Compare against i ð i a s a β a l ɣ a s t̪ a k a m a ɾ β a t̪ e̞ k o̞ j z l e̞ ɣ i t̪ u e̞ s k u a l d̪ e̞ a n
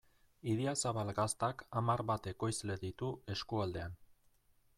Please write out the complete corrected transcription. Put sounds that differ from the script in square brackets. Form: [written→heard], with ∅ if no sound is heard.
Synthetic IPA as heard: i ð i a s a β a l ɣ a s t̪ a k a m a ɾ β a t̪ e̞ k o̞ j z l e̞ [ɣ→ð] i t̪ u e̞ s k u a l d̪ e̞ a n